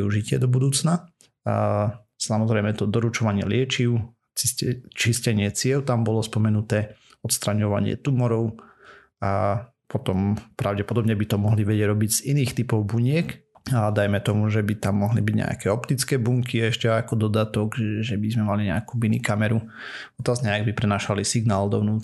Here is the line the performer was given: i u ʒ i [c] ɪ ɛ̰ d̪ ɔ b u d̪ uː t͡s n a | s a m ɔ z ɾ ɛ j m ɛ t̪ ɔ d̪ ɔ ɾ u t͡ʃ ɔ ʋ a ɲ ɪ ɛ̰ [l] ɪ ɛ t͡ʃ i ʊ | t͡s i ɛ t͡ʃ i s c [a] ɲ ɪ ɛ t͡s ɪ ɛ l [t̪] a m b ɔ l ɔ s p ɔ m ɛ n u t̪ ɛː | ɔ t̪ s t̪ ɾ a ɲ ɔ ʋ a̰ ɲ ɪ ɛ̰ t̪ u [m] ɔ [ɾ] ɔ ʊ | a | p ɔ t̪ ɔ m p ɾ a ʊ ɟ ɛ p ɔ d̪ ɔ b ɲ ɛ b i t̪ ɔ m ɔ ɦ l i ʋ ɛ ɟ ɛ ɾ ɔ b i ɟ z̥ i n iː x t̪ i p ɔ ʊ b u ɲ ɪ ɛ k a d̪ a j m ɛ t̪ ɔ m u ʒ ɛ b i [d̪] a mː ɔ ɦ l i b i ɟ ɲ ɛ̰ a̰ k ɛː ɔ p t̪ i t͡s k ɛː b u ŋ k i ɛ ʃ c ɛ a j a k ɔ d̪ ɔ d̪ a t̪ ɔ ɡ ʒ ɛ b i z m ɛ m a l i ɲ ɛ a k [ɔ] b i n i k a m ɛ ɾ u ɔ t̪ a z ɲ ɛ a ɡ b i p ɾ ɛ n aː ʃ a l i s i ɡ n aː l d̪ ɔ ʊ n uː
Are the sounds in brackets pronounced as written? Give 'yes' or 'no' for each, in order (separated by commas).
yes, yes, no, yes, yes, yes, no, no